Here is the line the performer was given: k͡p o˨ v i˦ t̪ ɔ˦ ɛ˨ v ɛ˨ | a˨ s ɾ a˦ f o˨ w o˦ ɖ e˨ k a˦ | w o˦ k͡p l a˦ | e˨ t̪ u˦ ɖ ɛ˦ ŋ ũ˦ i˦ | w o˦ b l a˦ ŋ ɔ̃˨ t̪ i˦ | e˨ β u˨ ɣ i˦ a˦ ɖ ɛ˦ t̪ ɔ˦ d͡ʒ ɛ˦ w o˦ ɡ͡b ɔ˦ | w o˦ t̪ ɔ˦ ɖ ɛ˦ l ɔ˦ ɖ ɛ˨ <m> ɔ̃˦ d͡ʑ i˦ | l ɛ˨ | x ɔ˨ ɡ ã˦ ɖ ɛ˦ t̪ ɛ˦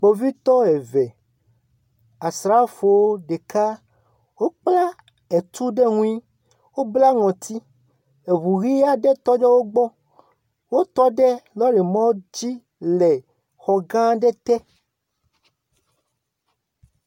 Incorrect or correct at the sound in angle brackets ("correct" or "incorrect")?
correct